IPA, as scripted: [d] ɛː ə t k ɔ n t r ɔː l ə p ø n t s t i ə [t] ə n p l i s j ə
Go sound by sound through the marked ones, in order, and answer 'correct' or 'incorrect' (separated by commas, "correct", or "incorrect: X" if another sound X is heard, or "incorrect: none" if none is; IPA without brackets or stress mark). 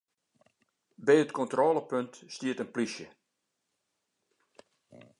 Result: incorrect: b, correct